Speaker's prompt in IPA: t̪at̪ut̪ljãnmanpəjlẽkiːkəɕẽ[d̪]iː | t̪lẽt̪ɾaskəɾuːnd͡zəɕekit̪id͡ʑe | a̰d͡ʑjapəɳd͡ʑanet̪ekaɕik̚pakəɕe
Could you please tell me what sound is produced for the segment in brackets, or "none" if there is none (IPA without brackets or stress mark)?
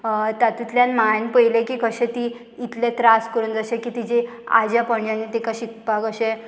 t̪